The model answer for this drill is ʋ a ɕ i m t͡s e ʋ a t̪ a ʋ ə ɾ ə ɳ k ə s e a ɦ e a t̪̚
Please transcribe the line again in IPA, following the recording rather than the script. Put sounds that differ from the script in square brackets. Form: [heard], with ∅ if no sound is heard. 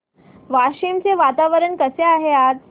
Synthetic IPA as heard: ʋ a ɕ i m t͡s e ʋ a t̪ a ʋ ə ɾ ə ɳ k ə s e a ɦ e a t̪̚

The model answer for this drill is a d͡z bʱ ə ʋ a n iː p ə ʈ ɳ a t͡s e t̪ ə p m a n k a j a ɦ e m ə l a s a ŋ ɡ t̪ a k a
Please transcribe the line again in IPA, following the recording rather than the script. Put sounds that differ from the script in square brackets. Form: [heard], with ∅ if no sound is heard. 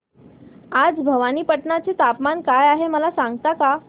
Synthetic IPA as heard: a d͡z bʱ ə ʋ a n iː p ə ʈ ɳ a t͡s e t̪ [a] p m a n k a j a ɦ e m ə l a s a ŋ ɡ t̪ a k a

